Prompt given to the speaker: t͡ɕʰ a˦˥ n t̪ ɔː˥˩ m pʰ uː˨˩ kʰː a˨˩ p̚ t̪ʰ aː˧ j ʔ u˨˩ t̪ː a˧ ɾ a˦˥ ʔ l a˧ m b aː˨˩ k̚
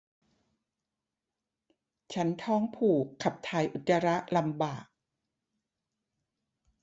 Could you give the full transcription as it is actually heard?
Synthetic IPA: t͡ɕʰ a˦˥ n t̪ʰ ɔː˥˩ ŋ pʰ uː˨˩ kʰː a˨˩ p̚ t̪ʰ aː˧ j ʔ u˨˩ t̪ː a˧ ɾ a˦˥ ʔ l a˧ m b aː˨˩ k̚